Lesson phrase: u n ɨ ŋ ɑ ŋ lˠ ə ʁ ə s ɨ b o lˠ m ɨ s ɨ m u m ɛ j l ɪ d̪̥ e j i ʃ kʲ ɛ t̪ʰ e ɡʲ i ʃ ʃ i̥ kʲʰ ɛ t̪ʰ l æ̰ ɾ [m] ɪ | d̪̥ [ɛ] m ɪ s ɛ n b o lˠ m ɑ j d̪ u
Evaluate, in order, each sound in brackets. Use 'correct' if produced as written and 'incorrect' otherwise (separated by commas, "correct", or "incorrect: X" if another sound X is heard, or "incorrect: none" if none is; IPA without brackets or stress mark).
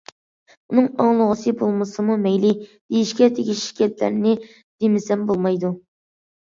incorrect: n, incorrect: e